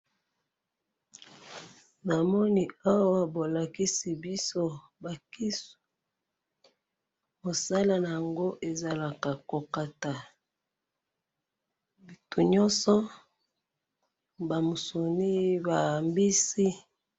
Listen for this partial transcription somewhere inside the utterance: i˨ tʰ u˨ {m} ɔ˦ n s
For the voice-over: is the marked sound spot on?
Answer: no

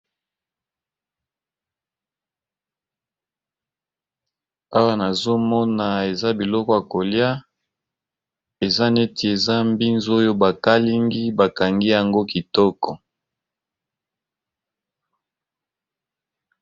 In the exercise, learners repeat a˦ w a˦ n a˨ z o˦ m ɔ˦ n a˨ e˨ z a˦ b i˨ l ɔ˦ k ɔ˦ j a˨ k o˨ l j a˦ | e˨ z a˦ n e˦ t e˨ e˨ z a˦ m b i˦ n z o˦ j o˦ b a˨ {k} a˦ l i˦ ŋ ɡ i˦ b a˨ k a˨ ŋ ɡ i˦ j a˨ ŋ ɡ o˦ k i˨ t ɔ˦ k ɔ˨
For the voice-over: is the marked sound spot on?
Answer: yes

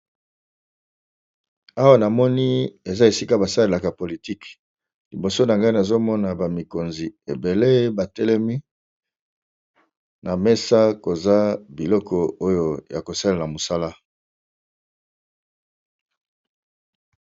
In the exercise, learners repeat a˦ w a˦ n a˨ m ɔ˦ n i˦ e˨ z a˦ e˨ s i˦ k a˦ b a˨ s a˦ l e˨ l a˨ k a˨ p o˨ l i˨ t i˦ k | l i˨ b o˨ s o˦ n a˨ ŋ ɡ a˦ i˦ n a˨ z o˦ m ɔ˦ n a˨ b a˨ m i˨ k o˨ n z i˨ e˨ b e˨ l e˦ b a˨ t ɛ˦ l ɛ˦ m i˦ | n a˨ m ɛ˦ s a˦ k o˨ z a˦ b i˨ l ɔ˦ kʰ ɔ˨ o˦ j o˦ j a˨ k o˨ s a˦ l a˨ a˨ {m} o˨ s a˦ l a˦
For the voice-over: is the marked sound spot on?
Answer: yes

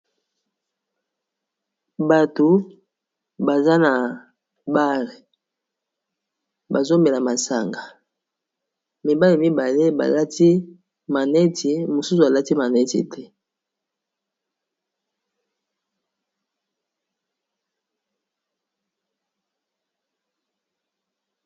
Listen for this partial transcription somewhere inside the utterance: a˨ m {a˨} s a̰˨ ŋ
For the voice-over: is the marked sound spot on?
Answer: yes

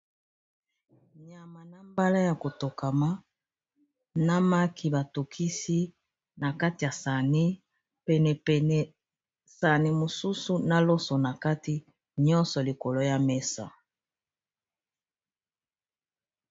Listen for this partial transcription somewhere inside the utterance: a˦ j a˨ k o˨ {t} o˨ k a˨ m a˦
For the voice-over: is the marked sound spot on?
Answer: yes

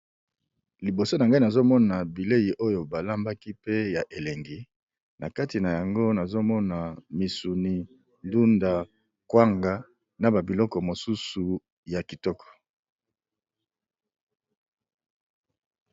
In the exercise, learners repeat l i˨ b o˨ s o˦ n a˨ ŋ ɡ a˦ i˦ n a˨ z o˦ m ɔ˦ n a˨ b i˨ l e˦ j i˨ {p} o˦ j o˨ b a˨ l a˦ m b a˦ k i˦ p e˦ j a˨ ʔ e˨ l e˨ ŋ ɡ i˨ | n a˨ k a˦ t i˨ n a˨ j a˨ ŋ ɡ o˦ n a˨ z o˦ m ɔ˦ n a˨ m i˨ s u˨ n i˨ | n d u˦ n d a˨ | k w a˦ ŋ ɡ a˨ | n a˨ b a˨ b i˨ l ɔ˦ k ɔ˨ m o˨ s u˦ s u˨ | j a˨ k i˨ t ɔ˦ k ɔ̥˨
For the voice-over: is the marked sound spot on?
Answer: no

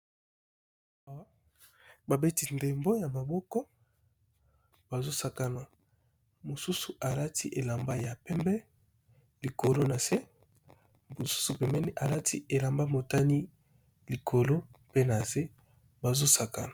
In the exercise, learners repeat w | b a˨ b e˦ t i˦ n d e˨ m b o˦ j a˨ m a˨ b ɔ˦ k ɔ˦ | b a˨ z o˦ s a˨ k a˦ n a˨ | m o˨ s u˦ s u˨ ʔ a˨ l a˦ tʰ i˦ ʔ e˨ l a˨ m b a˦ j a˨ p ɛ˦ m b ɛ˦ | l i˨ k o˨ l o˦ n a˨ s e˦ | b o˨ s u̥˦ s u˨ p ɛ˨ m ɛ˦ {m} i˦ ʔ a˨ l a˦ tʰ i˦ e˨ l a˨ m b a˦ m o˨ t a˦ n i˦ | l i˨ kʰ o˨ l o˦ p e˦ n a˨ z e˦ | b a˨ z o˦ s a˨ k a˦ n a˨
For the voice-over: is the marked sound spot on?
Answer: no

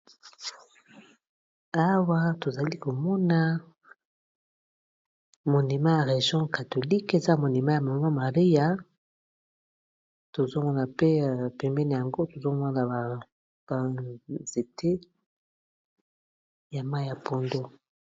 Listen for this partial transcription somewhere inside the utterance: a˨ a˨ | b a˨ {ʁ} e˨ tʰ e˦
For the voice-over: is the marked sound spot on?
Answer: no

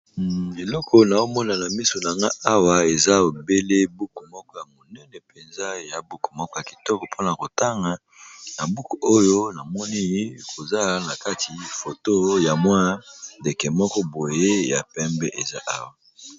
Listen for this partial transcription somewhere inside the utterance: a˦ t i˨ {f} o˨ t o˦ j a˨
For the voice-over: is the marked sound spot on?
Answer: yes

